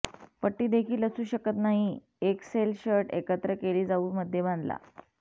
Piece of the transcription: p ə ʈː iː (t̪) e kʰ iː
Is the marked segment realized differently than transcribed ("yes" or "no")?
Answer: yes